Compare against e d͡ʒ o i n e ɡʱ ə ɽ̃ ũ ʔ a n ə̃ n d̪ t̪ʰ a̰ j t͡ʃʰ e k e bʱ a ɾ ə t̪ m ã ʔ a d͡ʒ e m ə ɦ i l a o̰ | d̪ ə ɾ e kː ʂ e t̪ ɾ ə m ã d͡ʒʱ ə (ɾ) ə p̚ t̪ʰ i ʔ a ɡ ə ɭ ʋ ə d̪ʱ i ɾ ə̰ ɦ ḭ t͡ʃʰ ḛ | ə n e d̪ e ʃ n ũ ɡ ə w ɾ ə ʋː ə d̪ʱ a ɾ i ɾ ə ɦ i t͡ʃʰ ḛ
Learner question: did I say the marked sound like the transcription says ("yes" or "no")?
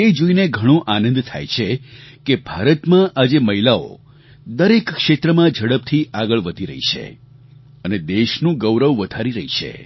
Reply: no